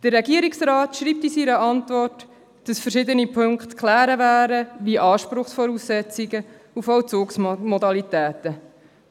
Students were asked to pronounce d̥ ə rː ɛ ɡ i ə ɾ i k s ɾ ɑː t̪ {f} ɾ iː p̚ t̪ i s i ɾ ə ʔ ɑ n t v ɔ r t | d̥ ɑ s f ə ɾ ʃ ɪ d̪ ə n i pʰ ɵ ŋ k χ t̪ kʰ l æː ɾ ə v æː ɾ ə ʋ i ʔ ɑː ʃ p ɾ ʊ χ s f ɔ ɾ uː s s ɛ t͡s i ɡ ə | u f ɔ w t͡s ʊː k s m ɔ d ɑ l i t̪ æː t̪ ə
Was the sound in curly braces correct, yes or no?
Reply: no